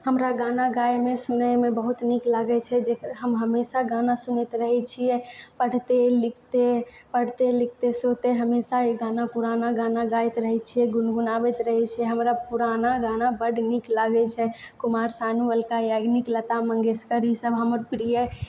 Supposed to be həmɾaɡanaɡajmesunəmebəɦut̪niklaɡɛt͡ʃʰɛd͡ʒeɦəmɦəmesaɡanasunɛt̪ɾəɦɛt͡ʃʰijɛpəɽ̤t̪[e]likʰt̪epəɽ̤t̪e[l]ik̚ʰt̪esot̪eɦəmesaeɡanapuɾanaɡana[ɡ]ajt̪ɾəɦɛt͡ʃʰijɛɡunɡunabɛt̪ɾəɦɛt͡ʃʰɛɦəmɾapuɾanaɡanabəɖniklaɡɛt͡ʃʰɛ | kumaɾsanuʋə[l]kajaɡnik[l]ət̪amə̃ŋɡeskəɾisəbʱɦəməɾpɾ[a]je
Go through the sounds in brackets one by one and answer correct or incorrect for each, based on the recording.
correct, correct, correct, correct, correct, incorrect: i

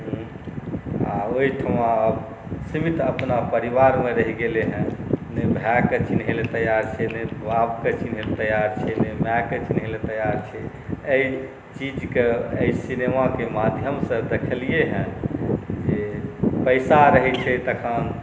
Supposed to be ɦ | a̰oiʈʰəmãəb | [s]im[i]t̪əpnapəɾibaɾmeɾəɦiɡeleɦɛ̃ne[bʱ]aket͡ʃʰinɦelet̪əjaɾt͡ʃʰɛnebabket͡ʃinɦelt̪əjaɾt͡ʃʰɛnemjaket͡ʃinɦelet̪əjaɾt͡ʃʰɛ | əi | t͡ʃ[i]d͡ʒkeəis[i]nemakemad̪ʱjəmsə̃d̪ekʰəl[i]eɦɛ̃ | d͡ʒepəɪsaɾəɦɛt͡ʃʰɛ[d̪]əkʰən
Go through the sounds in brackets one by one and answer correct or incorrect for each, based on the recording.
correct, correct, correct, correct, correct, correct, incorrect: t̪

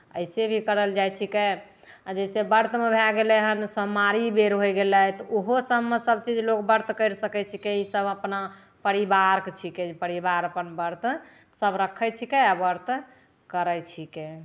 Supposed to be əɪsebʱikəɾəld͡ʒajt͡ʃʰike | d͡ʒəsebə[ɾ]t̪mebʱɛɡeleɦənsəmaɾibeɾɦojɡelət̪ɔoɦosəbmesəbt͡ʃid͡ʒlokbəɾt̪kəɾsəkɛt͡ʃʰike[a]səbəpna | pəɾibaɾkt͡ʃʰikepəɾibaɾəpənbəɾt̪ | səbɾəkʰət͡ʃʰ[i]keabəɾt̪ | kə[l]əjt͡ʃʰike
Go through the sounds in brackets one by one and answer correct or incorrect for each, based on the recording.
correct, incorrect: i, correct, incorrect: ɾ

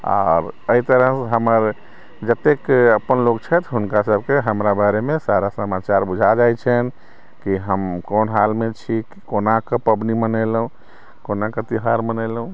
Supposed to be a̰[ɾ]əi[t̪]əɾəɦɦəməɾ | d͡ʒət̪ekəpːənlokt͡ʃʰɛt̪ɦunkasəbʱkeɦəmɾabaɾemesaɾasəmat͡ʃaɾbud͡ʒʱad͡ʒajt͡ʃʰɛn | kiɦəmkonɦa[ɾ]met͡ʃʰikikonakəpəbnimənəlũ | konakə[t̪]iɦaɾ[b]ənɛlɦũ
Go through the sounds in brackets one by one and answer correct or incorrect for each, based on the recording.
correct, correct, incorrect: l, correct, incorrect: m

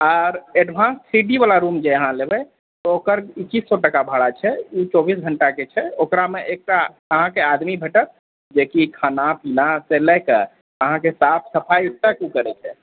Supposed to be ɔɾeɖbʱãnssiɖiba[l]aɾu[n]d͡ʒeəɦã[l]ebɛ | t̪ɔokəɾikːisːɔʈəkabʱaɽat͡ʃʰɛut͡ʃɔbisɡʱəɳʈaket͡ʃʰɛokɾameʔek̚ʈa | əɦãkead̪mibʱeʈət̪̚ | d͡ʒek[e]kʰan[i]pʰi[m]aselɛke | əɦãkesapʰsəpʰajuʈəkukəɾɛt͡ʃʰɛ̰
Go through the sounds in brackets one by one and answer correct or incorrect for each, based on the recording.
correct, incorrect: m, correct, incorrect: i, incorrect: a, incorrect: n

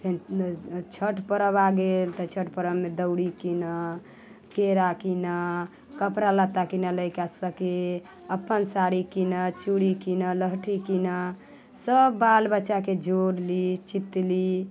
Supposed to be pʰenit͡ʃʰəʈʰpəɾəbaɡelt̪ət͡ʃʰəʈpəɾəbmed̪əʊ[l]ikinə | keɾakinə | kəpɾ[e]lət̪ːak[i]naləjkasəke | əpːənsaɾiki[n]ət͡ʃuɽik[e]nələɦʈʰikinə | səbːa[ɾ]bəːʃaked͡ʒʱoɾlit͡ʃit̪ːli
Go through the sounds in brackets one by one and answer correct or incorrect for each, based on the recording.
incorrect: ɽ, incorrect: a, correct, correct, incorrect: i, incorrect: l

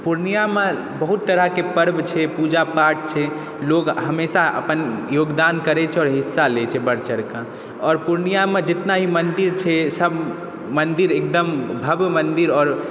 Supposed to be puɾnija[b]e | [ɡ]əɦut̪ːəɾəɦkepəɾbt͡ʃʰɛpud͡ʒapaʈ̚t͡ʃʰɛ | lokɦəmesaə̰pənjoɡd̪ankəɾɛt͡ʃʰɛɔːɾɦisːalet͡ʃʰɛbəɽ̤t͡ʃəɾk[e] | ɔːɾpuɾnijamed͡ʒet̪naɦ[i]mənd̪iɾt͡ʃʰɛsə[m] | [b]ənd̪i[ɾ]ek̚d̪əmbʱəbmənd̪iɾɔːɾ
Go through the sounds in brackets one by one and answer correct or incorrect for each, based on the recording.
incorrect: m, incorrect: b, incorrect: a, correct, incorrect: b, incorrect: m, correct

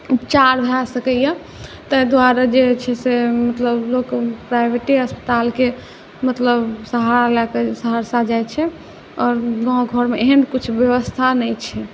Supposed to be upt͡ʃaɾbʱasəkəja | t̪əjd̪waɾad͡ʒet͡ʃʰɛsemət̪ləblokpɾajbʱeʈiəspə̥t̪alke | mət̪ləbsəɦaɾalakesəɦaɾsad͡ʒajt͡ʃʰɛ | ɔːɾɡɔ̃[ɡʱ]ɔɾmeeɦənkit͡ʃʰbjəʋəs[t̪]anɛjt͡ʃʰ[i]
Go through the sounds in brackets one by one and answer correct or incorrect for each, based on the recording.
correct, incorrect: t̪ʰ, incorrect: ɛ

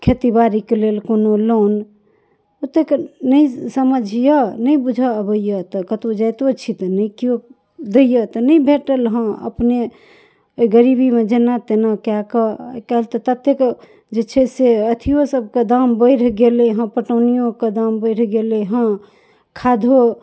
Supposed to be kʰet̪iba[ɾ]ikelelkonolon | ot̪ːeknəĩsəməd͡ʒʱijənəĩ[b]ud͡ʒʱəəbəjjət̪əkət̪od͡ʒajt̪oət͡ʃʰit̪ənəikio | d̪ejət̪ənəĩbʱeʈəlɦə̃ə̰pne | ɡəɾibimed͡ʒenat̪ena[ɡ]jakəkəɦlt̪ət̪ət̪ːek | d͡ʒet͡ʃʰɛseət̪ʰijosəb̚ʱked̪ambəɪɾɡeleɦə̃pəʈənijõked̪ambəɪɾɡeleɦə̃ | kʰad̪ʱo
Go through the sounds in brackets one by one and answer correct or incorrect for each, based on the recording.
correct, correct, incorrect: k

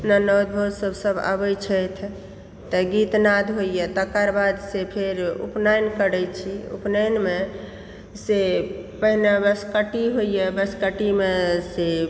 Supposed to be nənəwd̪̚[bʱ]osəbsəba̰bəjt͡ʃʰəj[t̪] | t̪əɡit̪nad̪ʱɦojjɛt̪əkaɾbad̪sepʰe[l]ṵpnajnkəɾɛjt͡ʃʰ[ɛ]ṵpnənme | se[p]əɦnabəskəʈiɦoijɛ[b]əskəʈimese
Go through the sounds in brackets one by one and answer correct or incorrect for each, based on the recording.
correct, incorrect: t̪ʰ, incorrect: ɾ, incorrect: i, correct, correct

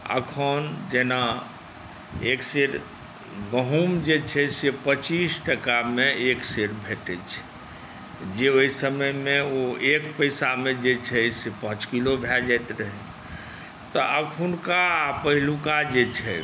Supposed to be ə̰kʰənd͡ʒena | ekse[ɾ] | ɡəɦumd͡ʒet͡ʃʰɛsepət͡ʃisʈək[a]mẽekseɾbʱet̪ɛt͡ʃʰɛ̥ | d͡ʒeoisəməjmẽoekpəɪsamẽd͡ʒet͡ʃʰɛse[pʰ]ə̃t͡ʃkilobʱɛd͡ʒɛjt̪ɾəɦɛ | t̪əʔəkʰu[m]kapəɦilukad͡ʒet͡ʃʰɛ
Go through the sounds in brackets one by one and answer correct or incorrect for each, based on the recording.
correct, correct, incorrect: p, incorrect: n

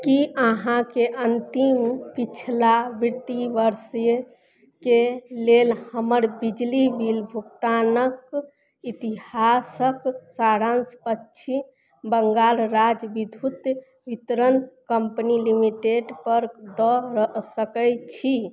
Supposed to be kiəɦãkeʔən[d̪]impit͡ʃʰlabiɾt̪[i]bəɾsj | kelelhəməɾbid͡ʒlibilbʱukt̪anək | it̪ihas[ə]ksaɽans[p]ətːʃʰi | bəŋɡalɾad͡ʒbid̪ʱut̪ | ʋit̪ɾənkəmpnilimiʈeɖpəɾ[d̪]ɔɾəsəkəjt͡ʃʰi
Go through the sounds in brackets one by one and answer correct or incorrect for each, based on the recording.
incorrect: t̪, correct, correct, correct, correct

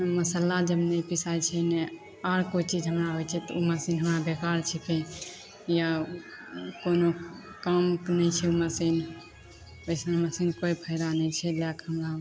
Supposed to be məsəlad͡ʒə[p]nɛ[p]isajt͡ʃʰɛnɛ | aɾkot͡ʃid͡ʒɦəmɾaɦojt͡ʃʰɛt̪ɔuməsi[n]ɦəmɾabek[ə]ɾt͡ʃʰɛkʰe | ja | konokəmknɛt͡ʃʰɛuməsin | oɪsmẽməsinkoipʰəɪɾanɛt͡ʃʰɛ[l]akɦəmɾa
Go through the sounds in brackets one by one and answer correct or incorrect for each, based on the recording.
incorrect: b, correct, correct, incorrect: a, correct

